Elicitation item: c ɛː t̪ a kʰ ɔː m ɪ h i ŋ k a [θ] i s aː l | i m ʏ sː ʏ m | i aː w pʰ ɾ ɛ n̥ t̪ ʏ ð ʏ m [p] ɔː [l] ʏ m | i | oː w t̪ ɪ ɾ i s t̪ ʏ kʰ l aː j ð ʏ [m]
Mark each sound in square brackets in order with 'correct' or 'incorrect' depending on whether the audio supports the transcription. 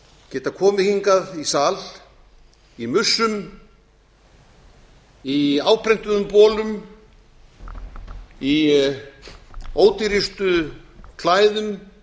incorrect: ð, correct, correct, correct

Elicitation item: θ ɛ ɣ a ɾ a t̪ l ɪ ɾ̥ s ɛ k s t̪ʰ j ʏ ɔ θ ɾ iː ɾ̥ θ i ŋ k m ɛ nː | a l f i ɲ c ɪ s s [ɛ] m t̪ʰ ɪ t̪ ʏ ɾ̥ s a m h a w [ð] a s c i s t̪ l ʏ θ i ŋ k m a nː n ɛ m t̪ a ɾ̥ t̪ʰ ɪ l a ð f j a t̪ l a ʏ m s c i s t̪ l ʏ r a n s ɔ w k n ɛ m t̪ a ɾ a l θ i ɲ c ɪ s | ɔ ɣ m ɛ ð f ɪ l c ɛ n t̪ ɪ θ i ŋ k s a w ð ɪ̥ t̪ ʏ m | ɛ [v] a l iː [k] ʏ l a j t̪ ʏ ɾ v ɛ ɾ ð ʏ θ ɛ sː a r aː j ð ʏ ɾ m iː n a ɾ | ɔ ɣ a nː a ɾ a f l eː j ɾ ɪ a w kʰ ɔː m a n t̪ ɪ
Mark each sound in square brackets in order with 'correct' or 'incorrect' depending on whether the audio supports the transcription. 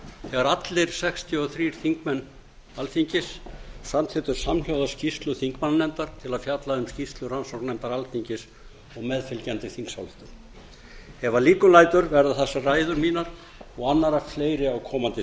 incorrect: a, correct, correct, correct

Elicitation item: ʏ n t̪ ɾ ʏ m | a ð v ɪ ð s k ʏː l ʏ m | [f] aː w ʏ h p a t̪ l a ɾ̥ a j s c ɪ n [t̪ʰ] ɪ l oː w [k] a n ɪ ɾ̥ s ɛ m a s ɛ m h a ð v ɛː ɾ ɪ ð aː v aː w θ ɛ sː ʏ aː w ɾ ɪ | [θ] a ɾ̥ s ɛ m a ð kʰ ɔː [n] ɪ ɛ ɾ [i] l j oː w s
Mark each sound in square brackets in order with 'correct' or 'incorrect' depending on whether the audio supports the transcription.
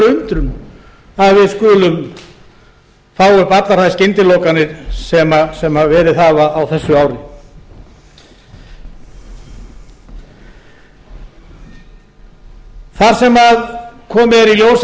correct, incorrect: t̪, correct, correct, incorrect: m, correct

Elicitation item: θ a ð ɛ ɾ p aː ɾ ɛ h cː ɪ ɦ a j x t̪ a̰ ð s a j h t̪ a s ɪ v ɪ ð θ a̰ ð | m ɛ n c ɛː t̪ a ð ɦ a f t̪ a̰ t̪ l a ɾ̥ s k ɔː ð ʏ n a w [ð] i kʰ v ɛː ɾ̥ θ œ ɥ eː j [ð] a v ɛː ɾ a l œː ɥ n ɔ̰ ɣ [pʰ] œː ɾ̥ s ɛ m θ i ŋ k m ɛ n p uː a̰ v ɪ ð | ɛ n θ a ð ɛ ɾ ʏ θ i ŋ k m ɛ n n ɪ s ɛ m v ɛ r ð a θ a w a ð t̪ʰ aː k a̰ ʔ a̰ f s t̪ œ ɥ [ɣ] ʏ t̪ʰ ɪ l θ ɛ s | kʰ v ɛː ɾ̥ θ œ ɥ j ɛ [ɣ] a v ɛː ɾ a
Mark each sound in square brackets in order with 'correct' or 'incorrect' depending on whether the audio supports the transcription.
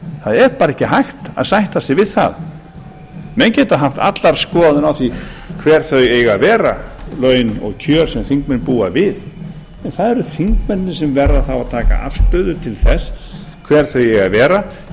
incorrect: θ, incorrect: ɣ, incorrect: cʰ, incorrect: ð, correct

